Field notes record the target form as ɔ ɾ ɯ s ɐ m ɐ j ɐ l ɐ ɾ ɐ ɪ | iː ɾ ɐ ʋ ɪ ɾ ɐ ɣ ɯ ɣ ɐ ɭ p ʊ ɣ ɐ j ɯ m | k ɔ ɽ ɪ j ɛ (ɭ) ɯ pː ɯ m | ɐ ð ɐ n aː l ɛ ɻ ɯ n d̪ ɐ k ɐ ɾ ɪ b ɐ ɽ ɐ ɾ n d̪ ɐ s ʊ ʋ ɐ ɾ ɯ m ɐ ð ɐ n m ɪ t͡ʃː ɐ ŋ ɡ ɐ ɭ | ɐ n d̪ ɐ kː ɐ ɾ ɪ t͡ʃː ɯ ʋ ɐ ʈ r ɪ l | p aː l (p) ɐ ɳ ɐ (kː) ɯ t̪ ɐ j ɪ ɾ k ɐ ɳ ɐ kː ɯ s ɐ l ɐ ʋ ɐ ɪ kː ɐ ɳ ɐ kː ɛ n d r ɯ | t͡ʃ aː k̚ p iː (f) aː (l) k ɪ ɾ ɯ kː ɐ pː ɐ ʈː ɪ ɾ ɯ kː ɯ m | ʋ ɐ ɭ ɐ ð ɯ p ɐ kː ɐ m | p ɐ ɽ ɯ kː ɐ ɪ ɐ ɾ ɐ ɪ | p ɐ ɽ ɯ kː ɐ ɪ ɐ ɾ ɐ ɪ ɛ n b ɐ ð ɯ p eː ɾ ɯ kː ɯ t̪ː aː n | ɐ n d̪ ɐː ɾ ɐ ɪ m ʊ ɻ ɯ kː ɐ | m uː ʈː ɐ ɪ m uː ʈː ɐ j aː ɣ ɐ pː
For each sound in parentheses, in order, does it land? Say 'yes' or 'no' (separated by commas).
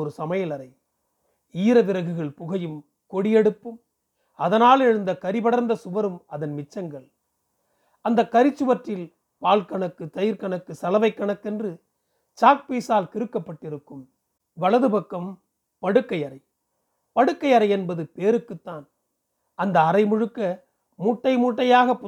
no, no, yes, no, yes